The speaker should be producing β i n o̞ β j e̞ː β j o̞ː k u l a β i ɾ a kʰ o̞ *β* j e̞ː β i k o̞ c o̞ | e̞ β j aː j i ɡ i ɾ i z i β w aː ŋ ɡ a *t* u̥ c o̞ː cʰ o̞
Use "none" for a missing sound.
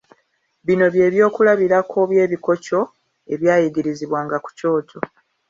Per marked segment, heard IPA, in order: β, k

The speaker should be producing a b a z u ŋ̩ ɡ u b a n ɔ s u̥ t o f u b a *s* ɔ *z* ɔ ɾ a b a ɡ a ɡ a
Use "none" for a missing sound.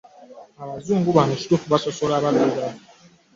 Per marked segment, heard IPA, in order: s, s

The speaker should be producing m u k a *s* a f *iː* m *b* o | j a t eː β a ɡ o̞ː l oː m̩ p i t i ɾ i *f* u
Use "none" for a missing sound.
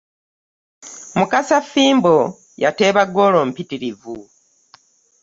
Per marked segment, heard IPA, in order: s, iː, b, v

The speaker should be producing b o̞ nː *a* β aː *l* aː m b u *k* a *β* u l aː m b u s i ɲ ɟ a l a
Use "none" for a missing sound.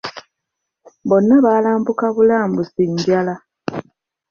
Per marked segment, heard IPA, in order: a, l, k, β

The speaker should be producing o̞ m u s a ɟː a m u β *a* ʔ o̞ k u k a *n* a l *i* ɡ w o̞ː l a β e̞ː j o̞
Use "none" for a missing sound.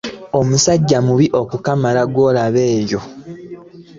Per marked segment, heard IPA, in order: i, m, a

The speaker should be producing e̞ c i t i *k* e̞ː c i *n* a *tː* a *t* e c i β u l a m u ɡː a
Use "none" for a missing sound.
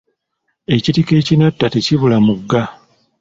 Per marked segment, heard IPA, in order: k, n, tː, t

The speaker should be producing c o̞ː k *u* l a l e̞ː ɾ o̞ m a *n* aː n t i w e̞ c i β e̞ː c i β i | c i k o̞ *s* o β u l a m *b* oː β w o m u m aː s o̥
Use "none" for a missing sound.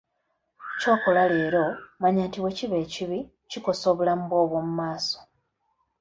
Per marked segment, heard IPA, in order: o, ɲ, s, b

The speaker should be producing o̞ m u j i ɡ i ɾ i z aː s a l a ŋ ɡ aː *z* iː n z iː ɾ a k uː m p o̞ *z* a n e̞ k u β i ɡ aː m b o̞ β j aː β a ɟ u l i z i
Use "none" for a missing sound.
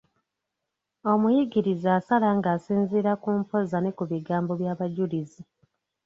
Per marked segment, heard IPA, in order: s, z

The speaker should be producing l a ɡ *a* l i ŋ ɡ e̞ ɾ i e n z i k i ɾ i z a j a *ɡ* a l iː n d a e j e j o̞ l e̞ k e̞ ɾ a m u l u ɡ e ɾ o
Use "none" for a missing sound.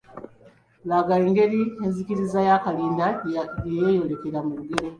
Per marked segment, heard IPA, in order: a, k

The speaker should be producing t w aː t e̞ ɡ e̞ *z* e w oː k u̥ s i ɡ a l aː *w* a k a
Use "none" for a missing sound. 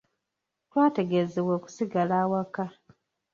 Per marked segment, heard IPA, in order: z, w

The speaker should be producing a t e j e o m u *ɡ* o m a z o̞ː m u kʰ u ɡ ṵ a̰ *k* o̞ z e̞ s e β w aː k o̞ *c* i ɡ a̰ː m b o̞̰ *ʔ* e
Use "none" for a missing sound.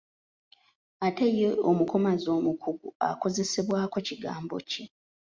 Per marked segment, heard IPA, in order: k, k, c, c

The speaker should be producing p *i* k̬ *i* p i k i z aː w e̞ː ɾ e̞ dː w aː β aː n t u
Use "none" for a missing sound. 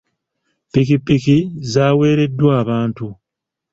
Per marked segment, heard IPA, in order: i, i

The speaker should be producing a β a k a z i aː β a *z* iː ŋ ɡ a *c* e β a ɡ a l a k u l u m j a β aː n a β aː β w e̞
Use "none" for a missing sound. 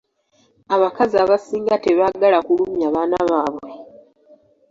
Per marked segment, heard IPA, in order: s, t

